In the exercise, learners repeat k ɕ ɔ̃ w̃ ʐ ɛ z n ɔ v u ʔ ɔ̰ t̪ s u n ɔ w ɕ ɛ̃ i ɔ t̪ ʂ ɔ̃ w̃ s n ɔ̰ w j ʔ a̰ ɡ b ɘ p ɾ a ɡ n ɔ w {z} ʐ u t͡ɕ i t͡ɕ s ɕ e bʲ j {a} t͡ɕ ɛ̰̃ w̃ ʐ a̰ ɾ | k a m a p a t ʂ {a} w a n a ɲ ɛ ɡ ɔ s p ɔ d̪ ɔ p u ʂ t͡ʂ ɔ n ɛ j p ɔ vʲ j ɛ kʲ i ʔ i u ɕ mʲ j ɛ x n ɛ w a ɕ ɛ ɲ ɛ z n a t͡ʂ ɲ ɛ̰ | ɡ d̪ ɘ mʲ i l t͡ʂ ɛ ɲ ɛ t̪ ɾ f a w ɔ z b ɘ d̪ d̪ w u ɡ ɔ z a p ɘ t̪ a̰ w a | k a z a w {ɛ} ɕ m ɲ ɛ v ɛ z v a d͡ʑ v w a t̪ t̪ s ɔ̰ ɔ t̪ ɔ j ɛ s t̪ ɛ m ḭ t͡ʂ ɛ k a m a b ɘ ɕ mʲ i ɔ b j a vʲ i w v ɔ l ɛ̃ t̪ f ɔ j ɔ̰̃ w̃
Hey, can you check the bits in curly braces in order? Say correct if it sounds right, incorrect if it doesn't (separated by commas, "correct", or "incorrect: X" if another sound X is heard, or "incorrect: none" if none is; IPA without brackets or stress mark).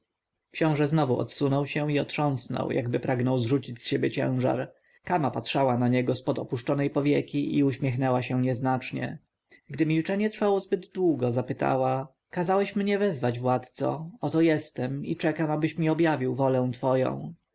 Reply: correct, incorrect: ɛ, correct, correct